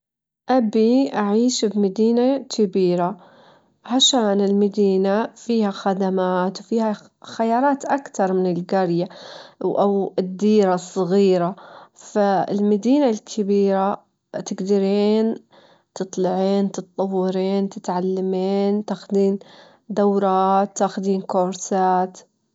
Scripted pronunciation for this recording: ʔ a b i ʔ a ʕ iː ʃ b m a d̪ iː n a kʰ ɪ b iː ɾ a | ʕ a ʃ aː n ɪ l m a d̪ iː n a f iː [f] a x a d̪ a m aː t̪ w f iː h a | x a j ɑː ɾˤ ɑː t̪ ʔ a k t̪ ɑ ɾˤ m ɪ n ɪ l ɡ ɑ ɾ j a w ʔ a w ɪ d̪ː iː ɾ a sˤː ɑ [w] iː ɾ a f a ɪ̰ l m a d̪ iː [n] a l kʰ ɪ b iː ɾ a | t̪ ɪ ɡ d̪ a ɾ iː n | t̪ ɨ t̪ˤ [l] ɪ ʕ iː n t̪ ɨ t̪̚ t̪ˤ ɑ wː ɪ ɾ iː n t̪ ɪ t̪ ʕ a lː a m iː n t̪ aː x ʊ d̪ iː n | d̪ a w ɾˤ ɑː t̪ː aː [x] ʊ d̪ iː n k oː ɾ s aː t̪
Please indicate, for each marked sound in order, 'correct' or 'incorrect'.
incorrect: h, incorrect: ɣ, correct, correct, correct

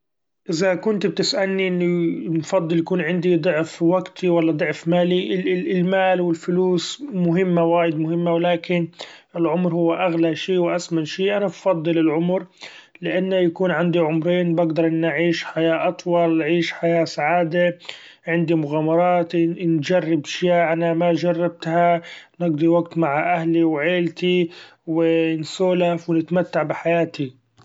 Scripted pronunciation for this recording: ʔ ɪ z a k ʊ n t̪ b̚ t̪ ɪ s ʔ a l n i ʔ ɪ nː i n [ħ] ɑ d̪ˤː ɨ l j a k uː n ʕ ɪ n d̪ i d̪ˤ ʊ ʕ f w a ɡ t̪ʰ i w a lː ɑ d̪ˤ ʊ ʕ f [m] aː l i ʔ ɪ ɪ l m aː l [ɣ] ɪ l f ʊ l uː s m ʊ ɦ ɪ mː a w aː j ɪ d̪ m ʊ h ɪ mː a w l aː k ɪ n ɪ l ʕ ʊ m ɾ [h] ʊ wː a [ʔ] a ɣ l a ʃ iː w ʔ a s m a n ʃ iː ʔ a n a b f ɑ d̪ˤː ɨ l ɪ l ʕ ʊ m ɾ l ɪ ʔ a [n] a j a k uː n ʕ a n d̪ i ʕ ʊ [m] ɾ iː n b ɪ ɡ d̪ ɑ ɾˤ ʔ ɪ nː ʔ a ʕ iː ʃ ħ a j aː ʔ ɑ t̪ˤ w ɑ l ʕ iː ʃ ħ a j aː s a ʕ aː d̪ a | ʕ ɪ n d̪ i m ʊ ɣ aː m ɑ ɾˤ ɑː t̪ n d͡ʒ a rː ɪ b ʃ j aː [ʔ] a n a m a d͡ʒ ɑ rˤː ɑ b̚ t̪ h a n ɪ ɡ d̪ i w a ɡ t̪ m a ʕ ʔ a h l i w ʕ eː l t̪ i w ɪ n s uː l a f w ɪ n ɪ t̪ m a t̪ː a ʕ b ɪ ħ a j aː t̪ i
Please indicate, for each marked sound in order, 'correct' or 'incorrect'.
incorrect: f, correct, incorrect: w, correct, correct, incorrect: nː, correct, correct

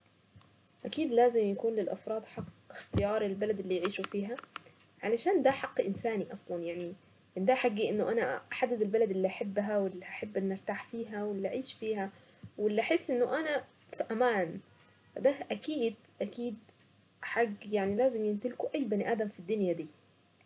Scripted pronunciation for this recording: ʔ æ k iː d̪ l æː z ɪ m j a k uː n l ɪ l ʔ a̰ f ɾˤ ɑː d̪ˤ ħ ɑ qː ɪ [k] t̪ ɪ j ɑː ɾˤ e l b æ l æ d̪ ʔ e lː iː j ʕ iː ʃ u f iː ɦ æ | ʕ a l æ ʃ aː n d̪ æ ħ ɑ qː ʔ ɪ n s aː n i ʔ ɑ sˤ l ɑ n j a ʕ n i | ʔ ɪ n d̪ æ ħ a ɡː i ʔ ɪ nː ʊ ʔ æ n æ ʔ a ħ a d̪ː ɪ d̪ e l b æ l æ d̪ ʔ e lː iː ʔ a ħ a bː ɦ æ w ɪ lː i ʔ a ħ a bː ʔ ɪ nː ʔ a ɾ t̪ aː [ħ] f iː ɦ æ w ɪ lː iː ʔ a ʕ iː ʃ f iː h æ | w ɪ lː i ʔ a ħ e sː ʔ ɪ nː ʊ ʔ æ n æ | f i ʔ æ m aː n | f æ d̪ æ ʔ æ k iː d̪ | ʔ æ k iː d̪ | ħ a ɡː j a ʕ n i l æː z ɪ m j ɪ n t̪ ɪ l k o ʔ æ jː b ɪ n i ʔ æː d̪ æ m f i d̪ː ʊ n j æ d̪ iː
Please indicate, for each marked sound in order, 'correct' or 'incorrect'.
incorrect: x, correct

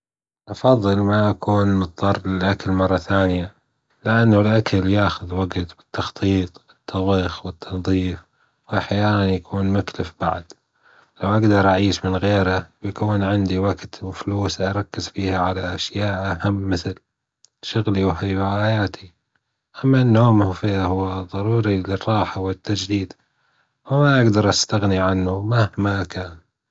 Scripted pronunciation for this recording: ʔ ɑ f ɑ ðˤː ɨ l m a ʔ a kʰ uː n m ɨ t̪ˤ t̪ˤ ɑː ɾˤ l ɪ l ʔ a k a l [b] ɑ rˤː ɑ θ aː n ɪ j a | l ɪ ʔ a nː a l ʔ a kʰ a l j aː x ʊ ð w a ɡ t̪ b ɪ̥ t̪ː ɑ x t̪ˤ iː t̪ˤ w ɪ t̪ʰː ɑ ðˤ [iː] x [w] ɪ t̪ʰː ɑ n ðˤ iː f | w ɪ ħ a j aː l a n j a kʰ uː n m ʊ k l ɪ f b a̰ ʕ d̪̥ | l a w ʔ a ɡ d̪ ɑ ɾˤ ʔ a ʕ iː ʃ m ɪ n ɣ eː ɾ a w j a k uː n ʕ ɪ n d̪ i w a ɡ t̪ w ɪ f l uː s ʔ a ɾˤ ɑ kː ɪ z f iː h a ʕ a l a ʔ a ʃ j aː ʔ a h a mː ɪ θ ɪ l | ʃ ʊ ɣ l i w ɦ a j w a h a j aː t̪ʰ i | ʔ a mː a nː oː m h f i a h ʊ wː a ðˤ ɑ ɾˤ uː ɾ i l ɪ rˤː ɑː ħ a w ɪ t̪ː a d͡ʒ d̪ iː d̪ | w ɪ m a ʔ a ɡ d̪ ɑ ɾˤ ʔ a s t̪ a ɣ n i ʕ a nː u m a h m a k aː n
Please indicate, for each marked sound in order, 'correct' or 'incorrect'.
incorrect: m, correct, correct

